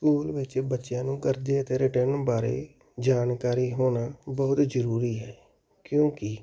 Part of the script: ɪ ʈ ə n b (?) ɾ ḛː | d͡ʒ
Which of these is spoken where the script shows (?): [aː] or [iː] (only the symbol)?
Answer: aː